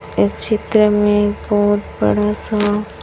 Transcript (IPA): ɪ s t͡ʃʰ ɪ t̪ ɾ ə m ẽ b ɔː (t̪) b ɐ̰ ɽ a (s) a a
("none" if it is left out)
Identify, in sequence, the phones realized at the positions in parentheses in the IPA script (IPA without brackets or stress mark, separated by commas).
t̪, s